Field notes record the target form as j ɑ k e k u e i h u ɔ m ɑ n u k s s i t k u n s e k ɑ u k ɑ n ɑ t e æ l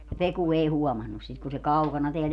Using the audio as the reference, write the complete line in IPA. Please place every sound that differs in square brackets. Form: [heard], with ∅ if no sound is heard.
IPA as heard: j ɑ [p] e k u e i h u ɔ m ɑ [nː] u [∅] s s i t k u n s e k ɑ u k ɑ n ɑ t e æ l